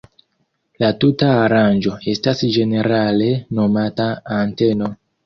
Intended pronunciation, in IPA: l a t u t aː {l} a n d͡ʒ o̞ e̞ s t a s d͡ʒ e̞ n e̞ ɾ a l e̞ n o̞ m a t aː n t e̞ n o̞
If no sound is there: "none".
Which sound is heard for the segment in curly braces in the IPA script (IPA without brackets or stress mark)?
ɾ